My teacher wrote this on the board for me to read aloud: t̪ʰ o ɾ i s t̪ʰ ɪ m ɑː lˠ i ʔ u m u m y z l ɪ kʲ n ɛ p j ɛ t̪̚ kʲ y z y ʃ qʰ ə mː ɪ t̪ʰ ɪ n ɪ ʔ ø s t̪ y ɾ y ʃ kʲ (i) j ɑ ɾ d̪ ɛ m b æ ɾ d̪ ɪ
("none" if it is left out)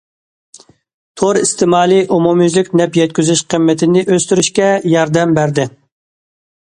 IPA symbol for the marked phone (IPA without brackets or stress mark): ɛ